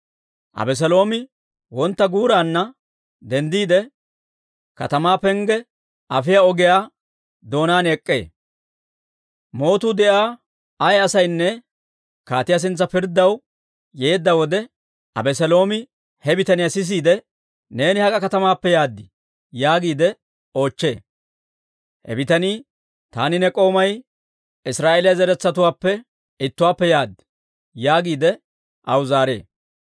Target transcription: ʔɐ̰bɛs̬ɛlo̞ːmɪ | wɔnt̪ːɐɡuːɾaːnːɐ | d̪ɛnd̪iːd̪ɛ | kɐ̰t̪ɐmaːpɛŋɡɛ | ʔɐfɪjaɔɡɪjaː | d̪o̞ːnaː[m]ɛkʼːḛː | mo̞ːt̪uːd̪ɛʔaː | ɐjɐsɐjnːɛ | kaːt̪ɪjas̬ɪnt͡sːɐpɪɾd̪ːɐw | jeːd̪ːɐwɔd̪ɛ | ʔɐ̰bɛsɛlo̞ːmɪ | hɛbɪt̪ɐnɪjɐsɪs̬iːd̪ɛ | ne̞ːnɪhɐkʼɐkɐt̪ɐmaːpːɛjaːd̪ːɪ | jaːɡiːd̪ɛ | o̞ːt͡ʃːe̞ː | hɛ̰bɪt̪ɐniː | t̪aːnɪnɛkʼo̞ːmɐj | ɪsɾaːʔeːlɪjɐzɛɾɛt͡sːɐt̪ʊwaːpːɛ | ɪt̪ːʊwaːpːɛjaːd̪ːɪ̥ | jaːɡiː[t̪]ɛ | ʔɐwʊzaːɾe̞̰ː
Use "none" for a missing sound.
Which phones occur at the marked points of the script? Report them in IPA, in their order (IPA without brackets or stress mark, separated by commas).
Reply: n, d̪